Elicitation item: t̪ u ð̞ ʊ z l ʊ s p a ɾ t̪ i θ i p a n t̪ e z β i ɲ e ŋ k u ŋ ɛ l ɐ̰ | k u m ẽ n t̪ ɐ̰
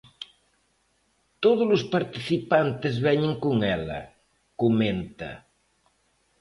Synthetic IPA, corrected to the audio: t̪ o ð̞ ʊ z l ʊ s p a ɾ t̪ i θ i p a n t̪ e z β ɛ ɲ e ŋ k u ŋ ɛ l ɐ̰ | k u m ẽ n t̪ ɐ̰